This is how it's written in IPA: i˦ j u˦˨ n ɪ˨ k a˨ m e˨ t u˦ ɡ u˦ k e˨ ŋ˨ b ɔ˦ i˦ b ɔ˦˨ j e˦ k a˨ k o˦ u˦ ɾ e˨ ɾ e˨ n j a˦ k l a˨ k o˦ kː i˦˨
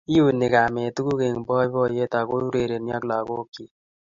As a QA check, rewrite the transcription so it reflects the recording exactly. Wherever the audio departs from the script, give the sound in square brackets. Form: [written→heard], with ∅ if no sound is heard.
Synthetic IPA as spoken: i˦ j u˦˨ n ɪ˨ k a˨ m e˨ t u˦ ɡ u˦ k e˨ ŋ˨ b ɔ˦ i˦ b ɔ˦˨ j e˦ [k→t] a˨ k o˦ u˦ ɾ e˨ ɾ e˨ n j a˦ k l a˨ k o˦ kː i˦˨